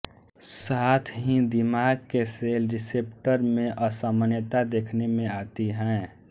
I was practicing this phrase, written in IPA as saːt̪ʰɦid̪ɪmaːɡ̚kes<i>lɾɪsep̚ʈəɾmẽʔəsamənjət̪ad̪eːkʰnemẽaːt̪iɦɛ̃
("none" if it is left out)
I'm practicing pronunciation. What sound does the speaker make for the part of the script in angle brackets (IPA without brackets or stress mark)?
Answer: e